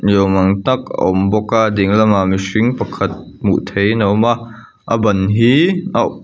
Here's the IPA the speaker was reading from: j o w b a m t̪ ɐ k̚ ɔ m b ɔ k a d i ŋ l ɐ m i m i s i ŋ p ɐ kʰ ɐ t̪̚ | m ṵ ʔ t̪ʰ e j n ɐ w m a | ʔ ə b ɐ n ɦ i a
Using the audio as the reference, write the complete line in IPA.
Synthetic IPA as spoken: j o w m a ŋ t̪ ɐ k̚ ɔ m b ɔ k a d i ŋ l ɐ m a m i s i ŋ p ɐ kʰ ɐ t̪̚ | m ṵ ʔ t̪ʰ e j n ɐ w m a | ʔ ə b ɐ n ɦ i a

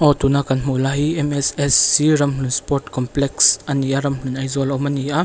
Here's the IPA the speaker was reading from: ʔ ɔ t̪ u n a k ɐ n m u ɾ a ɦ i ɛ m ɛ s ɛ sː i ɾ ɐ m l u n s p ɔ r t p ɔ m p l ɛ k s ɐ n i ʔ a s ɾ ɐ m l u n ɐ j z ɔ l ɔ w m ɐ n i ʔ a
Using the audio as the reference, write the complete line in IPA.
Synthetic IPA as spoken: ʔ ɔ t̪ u n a k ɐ n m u l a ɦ i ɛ m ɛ s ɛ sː i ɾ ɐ m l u n s p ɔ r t k ɔ m p l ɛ k s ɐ n i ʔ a ɾ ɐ m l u n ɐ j z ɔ l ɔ w m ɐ n i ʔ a

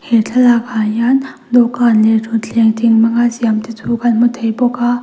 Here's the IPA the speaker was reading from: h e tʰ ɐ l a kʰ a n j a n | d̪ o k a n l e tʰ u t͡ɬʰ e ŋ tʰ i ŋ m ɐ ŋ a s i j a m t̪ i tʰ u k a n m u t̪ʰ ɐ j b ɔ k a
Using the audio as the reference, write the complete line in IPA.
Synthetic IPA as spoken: h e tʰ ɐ l a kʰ a n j a n | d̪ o k a n l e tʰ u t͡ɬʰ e ŋ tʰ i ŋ m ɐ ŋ a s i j a m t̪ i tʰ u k a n m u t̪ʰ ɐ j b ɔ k a

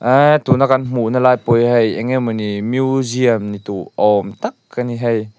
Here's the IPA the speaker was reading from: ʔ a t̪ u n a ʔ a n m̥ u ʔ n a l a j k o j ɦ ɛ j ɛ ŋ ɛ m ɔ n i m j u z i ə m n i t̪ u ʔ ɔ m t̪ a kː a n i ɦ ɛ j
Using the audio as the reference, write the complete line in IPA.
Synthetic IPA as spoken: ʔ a t̪ u n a k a n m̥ u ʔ n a l a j p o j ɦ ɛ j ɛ ŋ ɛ m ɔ n i m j u z i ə m n i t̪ u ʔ ɔ m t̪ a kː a n i ɦ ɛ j

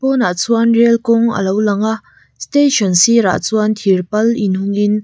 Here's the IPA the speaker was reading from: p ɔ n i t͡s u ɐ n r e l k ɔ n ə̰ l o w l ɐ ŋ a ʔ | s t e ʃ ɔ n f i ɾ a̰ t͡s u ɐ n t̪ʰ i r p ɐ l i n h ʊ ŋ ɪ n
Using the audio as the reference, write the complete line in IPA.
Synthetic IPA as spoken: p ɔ n a t͡s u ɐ n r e l k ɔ ŋ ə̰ l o w l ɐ ŋ a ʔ | s t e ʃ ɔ n s i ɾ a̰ t͡s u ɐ n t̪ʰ i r p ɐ l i n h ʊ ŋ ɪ n

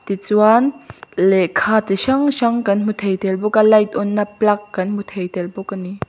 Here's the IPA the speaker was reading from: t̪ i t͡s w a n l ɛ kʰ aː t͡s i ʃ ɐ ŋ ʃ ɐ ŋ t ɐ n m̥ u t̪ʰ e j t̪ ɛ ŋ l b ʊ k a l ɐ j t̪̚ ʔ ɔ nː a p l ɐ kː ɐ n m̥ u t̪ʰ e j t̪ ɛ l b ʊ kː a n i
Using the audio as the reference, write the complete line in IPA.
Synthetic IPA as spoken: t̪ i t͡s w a n l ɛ kʰ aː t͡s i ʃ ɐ ŋ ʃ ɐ ŋ k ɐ n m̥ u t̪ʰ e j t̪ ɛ l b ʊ k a l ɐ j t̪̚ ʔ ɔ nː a p l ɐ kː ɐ n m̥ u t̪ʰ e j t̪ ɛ l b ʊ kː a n i

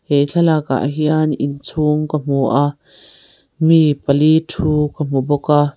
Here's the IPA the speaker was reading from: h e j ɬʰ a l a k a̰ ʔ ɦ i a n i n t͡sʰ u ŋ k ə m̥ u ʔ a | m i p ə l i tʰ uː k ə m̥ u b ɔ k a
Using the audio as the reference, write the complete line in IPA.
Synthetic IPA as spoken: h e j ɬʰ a l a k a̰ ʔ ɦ i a n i n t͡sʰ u ŋ k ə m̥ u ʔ a | m i p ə l i tʰ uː k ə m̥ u b ɔ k a

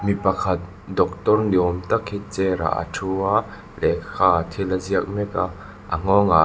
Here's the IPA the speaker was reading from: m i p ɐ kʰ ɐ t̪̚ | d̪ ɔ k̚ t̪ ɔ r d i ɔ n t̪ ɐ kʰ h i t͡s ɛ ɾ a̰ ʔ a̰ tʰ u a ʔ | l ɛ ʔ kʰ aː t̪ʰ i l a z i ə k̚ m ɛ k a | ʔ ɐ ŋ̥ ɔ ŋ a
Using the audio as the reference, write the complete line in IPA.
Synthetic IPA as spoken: m i p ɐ kʰ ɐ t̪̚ | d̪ ɔ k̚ t̪ ɔ r n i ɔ m t̪ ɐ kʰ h i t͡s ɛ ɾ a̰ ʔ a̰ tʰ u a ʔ | l ɛ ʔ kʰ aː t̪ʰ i l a z i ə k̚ m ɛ k a | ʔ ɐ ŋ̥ ɔ ŋ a

